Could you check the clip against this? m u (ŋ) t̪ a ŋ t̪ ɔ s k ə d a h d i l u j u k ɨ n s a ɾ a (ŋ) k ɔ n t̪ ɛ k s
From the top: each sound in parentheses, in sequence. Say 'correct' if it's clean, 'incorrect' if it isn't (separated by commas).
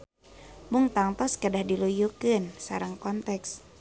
correct, correct